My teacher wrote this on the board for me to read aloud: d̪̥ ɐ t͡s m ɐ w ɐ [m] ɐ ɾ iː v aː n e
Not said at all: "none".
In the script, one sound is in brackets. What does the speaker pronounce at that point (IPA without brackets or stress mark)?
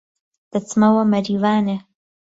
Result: m